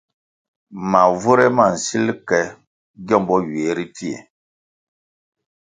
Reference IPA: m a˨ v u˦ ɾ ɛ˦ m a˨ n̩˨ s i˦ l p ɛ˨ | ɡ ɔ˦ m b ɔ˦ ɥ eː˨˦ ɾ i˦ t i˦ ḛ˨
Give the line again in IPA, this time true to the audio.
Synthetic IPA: m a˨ v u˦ ɾ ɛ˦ m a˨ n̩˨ s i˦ l k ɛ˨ | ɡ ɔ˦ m b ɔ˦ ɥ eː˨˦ ɾ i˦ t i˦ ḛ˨